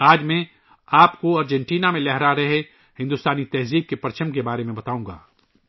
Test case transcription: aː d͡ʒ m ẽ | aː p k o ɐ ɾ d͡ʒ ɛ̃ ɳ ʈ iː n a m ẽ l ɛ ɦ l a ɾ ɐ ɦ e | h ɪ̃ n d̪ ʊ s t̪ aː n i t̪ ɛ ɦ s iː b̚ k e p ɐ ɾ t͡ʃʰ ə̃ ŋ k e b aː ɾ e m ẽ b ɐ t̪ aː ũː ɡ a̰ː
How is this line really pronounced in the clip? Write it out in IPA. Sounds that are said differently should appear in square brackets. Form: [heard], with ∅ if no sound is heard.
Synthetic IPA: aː d͡ʒ m ẽ | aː p k o ɐ ɾ d͡ʒ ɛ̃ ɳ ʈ iː n a m ẽ l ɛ ɦ [ɾ] a ɾ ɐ ɦ e | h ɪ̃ n d̪ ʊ s t̪ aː n i t̪ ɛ ɦ [z] iː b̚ k e p ɐ ɾ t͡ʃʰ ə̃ [m] k e b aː ɾ e m ẽ b ɐ t̪ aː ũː ɡ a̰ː